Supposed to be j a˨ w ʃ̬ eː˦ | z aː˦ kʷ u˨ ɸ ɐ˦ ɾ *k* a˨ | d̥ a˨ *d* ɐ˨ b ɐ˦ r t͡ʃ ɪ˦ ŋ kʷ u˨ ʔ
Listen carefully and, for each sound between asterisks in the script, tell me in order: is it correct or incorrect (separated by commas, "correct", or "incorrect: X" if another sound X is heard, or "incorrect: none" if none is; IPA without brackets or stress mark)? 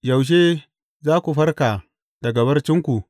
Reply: correct, incorrect: ɡ